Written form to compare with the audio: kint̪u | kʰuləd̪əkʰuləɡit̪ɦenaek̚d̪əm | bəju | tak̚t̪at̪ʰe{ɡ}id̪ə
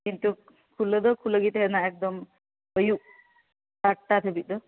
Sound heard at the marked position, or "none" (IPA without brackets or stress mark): b